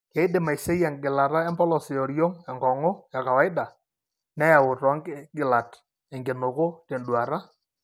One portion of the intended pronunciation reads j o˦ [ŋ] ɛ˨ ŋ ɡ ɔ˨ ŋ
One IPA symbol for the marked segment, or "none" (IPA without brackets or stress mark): ŋ